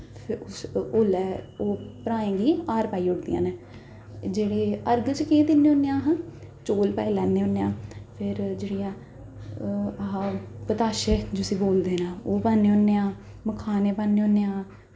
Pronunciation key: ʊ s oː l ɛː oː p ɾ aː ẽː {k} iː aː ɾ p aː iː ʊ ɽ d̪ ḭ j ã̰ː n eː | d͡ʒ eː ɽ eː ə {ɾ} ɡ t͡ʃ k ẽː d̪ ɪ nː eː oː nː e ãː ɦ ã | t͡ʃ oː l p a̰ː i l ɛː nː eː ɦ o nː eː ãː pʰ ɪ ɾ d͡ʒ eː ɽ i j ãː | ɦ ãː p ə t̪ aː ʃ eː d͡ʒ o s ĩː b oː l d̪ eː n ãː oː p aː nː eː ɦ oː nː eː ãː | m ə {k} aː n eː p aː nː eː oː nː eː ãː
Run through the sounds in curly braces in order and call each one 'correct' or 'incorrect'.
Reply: incorrect: ɡ, correct, incorrect: kʰ

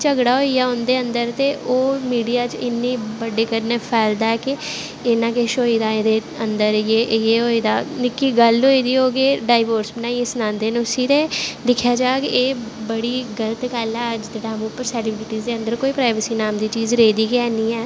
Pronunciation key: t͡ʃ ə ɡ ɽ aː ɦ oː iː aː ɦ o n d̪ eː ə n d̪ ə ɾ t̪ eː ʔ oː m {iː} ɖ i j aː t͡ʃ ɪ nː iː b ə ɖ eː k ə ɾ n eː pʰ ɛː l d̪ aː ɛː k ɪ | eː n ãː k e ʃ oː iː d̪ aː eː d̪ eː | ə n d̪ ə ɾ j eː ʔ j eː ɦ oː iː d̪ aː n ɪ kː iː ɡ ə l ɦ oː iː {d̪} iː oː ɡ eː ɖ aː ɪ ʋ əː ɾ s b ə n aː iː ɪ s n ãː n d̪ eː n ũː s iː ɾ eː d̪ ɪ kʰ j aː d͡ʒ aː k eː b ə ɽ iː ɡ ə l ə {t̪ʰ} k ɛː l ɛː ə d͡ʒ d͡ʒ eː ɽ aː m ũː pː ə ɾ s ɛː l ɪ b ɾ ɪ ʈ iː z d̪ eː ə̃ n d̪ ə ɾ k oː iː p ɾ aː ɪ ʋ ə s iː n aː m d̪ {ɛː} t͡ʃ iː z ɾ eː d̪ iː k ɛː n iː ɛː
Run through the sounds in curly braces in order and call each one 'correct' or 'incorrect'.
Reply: correct, correct, incorrect: t̪, incorrect: iː

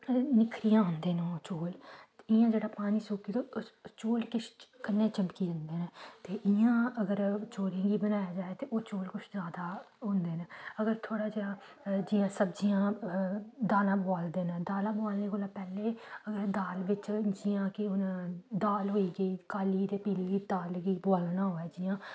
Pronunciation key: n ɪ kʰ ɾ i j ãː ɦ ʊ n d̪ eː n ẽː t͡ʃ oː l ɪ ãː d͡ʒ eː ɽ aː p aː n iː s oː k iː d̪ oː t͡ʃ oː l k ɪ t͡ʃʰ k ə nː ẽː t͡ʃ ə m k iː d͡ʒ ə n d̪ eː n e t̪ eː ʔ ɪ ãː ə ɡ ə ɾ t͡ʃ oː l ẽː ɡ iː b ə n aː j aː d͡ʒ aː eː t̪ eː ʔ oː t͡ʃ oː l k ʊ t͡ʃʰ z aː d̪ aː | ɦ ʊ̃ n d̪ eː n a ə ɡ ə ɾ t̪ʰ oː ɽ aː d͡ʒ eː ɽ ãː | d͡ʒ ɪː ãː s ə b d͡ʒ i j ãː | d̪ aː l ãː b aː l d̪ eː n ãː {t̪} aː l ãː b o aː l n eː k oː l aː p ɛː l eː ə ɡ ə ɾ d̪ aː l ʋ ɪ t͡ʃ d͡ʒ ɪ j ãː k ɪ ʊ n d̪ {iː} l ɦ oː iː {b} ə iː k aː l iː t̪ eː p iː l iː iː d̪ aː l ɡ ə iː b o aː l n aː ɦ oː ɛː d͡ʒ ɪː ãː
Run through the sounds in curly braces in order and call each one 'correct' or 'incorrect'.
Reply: incorrect: d̪, incorrect: aː, incorrect: ɡ

